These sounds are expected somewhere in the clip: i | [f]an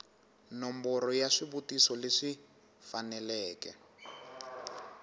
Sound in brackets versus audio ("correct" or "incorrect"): correct